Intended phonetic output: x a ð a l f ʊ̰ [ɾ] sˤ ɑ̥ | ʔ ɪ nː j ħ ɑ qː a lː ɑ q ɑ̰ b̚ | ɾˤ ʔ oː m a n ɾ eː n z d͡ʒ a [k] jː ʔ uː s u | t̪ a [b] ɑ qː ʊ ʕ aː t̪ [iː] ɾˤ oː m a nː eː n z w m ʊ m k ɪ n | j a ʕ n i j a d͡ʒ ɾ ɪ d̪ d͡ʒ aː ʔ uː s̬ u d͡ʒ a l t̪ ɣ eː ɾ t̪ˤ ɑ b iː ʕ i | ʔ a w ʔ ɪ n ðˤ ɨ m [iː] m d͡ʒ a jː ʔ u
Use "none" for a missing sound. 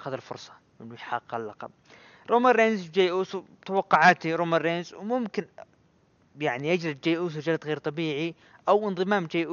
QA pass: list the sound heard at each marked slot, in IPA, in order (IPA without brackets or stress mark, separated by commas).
ɾ, none, w, i, aː